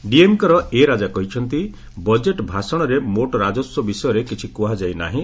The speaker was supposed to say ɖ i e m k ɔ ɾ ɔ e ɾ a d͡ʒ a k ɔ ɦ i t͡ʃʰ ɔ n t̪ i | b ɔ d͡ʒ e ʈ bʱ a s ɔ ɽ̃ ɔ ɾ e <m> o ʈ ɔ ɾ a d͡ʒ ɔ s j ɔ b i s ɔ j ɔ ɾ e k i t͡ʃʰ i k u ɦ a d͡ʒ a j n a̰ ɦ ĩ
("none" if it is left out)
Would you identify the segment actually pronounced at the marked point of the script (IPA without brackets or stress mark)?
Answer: m